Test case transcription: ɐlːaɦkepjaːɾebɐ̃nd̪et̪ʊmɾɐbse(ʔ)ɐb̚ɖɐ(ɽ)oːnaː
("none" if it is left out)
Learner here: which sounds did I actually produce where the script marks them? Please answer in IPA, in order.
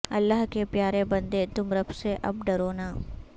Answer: ʔ, ɾ

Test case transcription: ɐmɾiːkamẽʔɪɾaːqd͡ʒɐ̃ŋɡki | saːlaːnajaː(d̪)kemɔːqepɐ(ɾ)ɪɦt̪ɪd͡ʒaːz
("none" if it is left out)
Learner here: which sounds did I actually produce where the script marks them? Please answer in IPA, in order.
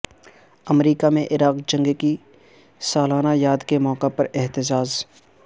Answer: d̪, ɾ

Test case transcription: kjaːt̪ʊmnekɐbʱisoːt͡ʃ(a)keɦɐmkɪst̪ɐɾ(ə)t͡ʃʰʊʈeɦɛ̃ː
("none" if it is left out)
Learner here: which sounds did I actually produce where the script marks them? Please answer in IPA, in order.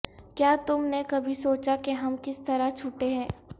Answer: a, a

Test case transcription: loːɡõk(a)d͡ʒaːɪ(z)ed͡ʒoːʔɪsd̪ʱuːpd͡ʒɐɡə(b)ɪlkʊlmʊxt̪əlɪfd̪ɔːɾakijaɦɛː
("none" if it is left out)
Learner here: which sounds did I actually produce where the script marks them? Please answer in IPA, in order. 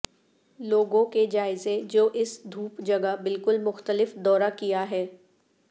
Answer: e, z, b

